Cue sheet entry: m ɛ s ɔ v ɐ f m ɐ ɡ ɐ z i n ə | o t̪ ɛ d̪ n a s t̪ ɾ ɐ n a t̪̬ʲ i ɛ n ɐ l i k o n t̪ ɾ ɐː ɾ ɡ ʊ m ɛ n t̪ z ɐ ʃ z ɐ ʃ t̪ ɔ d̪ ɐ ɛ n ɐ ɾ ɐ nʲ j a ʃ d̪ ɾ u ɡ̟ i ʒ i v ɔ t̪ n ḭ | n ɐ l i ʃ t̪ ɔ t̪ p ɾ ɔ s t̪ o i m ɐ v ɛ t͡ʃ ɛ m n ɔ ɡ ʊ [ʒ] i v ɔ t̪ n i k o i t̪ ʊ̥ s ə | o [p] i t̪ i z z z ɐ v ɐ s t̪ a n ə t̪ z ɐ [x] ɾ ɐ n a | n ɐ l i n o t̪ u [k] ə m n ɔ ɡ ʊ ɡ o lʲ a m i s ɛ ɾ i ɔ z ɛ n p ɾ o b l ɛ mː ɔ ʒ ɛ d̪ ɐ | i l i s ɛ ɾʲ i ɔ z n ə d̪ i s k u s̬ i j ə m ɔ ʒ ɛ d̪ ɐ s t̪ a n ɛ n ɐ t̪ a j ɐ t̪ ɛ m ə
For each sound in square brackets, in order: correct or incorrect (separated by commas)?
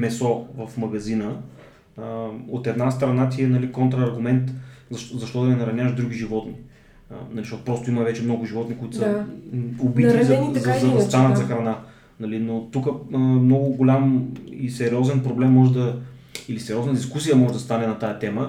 correct, incorrect, correct, correct